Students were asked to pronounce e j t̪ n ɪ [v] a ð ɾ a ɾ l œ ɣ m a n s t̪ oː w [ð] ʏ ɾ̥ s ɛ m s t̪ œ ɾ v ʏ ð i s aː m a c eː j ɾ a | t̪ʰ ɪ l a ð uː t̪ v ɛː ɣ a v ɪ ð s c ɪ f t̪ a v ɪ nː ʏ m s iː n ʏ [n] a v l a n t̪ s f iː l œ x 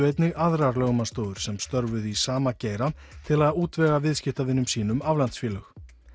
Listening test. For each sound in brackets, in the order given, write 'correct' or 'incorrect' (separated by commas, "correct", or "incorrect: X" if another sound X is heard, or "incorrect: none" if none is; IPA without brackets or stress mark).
incorrect: ɣ, correct, incorrect: m